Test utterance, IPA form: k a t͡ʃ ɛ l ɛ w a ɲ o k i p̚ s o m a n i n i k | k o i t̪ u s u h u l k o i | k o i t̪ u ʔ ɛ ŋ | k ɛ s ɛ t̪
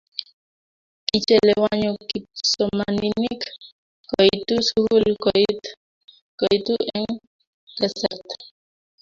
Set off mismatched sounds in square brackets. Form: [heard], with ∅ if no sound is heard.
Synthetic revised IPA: k [i] t͡ʃ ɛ l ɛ w a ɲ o k i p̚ s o m a n i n i k | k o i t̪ u s u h u l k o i | k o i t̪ u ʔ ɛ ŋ | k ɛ s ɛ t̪